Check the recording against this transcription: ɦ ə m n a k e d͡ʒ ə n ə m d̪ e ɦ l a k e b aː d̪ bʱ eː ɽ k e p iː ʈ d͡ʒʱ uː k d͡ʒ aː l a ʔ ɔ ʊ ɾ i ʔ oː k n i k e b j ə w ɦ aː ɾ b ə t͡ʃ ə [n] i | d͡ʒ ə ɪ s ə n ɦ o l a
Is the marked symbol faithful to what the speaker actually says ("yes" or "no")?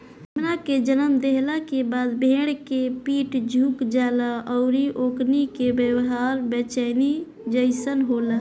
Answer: yes